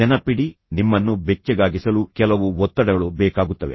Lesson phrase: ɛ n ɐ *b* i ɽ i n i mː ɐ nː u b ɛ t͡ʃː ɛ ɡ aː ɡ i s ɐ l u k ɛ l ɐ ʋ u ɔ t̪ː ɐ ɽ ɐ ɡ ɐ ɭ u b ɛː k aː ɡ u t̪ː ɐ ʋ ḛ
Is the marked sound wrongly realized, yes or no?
yes